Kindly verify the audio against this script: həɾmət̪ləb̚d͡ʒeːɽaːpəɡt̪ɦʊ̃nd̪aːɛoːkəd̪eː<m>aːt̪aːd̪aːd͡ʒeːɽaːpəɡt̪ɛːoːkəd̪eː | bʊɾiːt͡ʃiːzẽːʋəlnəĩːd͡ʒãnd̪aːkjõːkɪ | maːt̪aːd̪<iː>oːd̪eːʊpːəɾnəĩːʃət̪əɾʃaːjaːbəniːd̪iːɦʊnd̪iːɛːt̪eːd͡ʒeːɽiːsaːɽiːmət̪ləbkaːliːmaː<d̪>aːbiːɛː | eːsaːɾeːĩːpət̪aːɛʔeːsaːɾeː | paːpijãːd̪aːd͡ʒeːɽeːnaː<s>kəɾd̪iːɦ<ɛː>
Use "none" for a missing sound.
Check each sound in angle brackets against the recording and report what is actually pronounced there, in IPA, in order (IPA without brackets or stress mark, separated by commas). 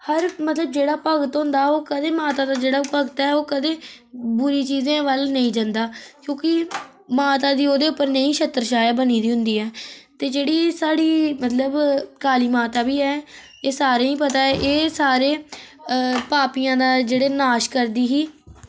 m, iː, t̪, ʃ, iː